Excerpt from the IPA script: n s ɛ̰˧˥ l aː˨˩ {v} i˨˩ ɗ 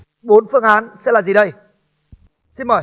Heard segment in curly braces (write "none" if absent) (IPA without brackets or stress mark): z